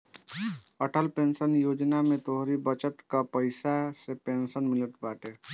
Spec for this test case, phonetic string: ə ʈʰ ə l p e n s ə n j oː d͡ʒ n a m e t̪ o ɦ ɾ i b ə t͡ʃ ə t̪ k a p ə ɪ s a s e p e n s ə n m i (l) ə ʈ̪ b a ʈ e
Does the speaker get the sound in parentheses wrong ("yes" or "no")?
no